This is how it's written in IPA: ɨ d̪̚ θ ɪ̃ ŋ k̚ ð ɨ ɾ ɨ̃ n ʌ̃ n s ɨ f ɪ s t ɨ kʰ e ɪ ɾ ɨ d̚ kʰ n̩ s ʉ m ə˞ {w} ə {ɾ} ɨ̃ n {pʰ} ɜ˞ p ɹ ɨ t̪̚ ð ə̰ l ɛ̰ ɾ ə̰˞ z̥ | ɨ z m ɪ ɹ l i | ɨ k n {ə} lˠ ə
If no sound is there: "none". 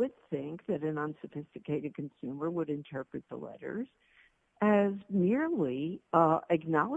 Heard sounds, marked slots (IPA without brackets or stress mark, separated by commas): w, ɾ, tʰ, ɑ